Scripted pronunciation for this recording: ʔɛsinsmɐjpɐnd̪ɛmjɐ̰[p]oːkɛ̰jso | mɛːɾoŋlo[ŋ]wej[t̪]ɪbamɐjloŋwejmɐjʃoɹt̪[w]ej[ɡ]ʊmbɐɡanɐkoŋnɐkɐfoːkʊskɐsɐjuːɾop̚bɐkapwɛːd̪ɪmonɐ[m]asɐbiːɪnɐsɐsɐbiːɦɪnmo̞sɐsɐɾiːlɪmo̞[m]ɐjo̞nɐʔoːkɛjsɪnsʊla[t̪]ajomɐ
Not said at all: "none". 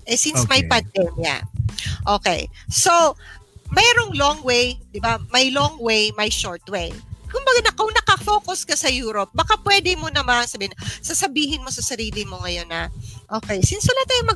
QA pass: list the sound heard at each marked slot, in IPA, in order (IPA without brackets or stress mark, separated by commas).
ʔ, ŋ, d̪, w, k, m, ŋ, t̪